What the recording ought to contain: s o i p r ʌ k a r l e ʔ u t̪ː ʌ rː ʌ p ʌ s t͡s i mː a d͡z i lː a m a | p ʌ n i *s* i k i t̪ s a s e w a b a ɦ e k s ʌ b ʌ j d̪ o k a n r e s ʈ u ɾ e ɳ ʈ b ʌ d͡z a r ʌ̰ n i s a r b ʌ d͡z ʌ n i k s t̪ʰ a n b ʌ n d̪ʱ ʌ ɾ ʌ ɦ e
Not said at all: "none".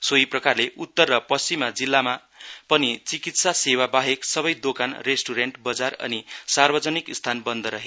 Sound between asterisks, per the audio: t͡s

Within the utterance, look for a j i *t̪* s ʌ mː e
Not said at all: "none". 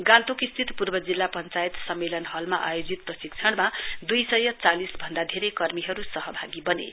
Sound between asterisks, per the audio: t̪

